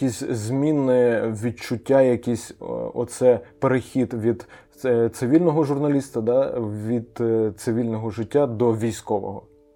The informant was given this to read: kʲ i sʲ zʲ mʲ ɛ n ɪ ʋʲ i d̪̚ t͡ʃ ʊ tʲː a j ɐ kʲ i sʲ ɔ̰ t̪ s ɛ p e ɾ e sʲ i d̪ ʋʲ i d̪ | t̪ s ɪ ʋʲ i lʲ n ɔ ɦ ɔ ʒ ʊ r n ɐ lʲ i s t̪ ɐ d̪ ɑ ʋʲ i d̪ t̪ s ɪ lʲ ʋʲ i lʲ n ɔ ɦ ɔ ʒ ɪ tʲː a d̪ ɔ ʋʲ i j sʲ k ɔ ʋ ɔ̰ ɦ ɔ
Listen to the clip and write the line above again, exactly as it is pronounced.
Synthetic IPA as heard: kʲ i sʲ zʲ mʲ i n ɪ ʋʲ i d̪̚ t͡ʃ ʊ tʲː a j ɐ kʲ i sʲ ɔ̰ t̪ s ɛ p e ɾ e xʲ i d̪ ʋʲ i d̪ | t̪ s ɪ ʋʲ i lʲ n ɔ ɦ ɔ ʒ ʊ r n ɐ lʲ i s t̪ ɐ d̪ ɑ ʋʲ i d̪ t̪ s ɪ ʋʲ i lʲ n ɔ ɦ ɔ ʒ ɪ tʲː a d̪ ɔ ʋʲ i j sʲ k ɔ ʋ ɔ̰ ɦ ɔ